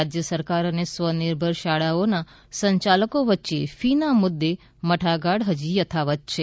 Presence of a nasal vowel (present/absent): absent